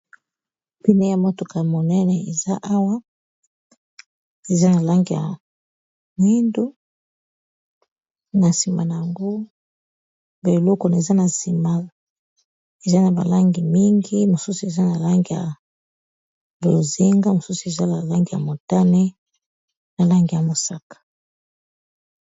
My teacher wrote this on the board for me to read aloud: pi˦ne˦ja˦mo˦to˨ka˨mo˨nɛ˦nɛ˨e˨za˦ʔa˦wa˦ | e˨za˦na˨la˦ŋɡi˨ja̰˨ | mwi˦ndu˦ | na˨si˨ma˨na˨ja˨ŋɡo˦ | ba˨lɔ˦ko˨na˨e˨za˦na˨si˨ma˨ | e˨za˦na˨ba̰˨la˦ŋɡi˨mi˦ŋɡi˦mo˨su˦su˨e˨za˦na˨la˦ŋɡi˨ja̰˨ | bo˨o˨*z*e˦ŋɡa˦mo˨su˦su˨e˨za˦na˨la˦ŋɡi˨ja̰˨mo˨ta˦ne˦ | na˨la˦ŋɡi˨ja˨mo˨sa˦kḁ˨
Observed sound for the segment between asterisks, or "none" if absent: z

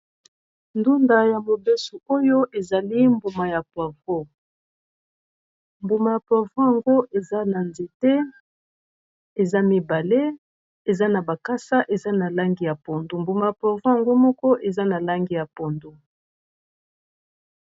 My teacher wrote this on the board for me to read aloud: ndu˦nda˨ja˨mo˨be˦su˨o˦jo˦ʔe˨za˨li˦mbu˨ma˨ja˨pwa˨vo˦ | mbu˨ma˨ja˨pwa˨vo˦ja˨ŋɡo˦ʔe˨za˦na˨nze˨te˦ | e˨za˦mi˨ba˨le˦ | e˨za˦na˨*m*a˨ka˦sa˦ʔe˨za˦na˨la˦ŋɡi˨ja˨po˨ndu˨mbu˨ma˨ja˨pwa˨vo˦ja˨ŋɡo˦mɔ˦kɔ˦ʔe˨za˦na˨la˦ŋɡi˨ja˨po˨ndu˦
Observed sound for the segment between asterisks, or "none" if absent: b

